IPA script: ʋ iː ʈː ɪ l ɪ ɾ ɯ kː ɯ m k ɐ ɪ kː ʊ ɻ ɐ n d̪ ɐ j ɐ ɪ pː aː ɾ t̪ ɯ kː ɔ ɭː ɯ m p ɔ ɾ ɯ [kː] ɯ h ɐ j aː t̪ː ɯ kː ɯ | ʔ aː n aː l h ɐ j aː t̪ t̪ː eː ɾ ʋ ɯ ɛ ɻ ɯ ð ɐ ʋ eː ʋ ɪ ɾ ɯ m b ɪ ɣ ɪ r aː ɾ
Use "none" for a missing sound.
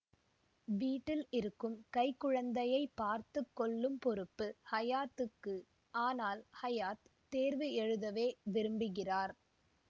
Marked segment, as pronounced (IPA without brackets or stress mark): pː